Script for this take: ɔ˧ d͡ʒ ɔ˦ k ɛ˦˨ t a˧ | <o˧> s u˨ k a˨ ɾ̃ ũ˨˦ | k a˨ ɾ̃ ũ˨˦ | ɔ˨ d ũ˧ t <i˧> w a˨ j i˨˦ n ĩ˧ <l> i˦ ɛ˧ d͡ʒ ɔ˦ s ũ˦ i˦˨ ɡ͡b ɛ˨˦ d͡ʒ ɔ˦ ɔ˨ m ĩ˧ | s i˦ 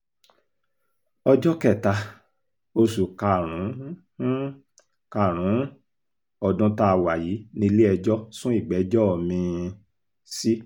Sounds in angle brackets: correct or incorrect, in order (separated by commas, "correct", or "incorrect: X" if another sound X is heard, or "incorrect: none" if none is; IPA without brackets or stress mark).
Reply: correct, incorrect: a˧, correct